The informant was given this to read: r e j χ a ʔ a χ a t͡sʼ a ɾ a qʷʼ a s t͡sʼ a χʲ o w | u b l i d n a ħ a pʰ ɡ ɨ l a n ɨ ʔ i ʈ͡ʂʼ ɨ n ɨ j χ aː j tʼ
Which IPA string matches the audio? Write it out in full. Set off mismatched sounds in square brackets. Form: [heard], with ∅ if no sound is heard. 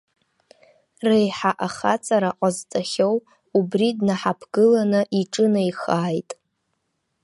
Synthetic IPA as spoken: r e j [ħ] a ʔ a χ a t͡sʼ a ɾ a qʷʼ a [z] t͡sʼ a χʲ o w | u b [r] i d n a ħ a pʰ ɡ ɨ l a n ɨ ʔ i ʈ͡ʂʼ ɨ n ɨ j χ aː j tʼ

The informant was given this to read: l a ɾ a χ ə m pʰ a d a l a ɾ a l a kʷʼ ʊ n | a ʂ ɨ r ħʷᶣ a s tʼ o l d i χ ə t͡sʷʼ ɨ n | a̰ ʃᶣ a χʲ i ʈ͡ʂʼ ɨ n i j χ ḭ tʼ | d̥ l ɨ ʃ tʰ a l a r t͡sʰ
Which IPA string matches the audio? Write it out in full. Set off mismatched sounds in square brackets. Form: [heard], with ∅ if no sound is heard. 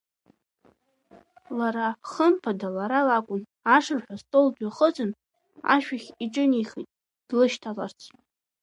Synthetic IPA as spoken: l a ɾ a χ ə m pʰ a d a l a ɾ a l a kʷʼ ʊ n | a ʂ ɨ r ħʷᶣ a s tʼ o l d [a] χ ə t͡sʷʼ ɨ n | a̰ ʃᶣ a χʲ i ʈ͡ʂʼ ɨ n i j χ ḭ tʼ | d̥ l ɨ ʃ tʰ a l a r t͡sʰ

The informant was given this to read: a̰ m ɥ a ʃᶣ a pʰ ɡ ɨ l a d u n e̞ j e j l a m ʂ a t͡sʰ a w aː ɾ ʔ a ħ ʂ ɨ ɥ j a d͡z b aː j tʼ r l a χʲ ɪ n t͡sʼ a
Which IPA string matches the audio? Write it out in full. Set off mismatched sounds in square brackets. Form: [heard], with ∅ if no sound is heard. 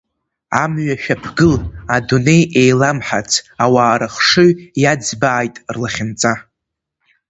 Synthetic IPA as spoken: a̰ m ɥ a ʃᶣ a pʰ ɡ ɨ l a d u n e̞ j e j l a m [ħ] a t͡sʰ a w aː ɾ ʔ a [χ] ʂ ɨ ɥ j a d͡z b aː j tʼ r l a χʲ ɪ n t͡sʼ a

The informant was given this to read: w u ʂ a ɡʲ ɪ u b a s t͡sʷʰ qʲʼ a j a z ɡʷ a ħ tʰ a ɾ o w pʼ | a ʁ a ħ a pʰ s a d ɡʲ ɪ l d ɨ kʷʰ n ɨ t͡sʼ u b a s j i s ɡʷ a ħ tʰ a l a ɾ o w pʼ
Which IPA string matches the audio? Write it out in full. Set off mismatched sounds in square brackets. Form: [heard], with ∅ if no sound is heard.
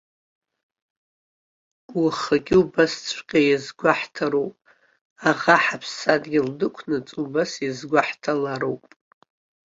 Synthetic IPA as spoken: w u [χ] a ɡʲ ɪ u b a s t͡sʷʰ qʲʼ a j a z ɡʷ a ħ tʰ a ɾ o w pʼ | a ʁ a ħ a pʰ s a d ɡʲ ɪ l d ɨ kʷʰ n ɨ t͡sʼ u b a s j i [z] ɡʷ a ħ tʰ a l a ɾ o w pʼ

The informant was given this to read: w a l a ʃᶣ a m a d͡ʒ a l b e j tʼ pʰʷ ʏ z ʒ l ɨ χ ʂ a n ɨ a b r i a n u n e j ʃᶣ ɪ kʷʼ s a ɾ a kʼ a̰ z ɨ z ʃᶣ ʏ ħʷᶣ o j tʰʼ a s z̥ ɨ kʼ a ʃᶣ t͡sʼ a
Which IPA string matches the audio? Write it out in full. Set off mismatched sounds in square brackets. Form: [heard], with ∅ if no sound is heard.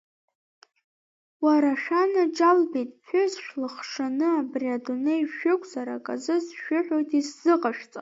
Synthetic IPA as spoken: w a [ɾ] a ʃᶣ a [n] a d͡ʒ a l b e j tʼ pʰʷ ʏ z [ʃ] l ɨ χ ʂ a n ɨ a b r i a [d] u n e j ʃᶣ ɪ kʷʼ [z] a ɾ a kʼ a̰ z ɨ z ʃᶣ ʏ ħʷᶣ o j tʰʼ [i] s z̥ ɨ [qʼ] a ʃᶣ t͡sʼ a

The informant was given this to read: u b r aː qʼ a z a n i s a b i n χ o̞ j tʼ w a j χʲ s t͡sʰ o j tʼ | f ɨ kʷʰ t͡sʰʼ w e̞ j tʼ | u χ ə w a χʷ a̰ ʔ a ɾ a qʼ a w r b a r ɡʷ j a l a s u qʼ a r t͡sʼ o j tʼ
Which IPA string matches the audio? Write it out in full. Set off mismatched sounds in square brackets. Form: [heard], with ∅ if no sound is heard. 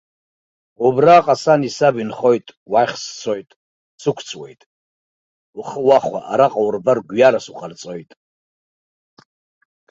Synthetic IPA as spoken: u b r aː qʼ a [s] a n i s a b i n χ o̞ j tʼ w a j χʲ s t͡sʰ o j tʼ | [s] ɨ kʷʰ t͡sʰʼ w e̞ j tʼ | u χ ə w a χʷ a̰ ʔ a ɾ a qʼ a w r b a r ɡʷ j a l a s u qʼ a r t͡sʼ o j tʼ

